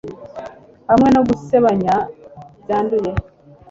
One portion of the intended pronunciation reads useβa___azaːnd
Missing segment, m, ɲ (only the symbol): ɲ